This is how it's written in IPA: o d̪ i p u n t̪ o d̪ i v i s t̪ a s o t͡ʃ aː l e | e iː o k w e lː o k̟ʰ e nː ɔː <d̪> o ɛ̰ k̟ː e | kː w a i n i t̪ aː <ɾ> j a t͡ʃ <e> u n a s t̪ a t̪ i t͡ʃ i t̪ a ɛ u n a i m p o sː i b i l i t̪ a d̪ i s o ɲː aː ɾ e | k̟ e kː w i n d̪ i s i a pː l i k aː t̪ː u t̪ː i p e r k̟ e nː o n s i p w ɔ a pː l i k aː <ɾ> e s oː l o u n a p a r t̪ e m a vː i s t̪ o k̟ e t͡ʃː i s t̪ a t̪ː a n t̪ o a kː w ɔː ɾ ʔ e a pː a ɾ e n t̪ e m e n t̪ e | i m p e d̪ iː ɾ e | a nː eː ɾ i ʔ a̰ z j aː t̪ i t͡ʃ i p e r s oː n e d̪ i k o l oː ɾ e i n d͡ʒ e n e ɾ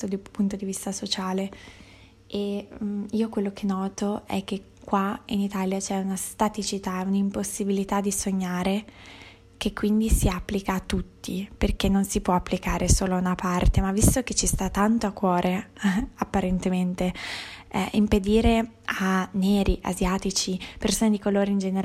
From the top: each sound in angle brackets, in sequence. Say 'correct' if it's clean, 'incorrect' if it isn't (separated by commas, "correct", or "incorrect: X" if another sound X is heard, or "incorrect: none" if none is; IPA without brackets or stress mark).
incorrect: t̪, incorrect: l, incorrect: ɛ, correct